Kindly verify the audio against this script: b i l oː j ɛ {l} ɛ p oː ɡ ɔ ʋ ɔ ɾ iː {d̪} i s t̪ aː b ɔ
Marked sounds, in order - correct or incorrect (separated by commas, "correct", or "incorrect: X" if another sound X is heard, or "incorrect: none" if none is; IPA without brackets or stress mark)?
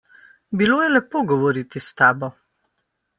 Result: correct, incorrect: t̪